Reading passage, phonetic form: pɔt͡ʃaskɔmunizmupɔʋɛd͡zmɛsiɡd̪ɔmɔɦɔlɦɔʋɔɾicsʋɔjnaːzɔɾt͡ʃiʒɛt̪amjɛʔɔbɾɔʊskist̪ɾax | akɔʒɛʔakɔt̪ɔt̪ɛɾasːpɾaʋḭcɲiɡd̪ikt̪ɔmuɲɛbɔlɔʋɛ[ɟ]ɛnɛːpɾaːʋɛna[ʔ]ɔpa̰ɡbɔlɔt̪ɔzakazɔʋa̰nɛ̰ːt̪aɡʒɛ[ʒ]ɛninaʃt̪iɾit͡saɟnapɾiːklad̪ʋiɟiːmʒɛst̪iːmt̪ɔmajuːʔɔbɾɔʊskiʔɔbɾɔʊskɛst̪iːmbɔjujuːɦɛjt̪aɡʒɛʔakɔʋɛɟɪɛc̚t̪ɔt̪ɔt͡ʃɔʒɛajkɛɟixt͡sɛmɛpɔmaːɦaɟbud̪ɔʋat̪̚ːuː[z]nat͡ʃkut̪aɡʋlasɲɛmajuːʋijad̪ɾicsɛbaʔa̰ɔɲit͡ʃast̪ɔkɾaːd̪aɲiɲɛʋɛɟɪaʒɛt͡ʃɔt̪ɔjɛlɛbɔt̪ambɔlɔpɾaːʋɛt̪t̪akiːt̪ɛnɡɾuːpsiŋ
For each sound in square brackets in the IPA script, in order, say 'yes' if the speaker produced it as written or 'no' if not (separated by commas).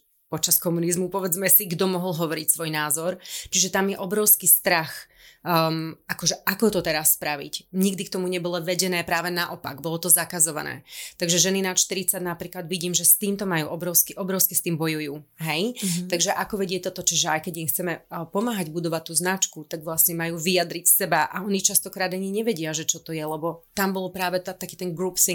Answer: yes, yes, yes, yes